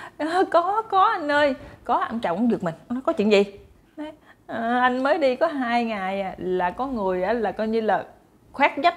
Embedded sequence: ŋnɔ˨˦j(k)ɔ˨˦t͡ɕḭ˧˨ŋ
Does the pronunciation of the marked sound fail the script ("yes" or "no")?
no